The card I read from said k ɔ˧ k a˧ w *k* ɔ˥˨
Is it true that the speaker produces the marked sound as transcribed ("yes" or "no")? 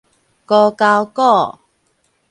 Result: yes